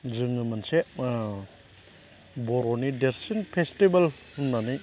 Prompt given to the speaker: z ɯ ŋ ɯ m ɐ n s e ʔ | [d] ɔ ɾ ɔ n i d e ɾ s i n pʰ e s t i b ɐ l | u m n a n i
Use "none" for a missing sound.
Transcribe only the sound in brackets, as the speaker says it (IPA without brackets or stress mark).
b